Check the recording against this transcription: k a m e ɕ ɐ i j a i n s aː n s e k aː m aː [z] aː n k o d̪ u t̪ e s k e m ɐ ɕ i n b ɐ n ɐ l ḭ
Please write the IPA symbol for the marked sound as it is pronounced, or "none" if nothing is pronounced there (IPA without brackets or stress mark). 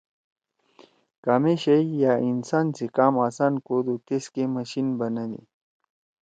s